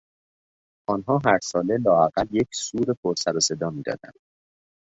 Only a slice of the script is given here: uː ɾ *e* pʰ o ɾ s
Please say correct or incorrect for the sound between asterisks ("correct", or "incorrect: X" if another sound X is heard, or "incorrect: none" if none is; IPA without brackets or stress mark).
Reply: correct